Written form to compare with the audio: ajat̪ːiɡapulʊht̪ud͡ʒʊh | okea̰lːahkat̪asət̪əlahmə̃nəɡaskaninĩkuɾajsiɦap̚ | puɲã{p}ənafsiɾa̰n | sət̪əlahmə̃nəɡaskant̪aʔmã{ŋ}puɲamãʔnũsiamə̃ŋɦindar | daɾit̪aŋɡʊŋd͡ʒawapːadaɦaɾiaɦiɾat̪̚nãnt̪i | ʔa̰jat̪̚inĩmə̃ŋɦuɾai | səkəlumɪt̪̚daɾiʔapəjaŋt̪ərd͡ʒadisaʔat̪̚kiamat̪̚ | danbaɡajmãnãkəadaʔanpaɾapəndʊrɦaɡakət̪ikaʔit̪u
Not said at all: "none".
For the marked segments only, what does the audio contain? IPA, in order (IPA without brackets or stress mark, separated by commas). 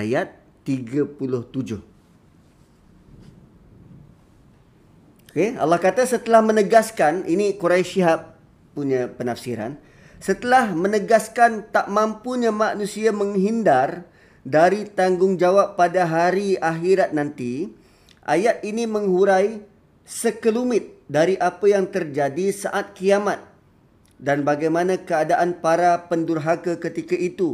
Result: p, m